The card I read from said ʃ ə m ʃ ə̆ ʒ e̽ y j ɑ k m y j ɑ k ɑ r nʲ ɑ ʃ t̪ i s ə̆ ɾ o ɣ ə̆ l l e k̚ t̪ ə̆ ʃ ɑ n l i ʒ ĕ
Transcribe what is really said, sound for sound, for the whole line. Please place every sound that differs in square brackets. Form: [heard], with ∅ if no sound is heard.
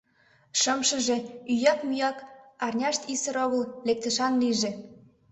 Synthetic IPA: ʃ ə m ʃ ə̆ ʒ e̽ y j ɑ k m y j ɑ k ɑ r nʲ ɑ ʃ t̪ i s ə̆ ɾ o ɣ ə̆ l l e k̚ t̪ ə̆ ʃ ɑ n l i ʒ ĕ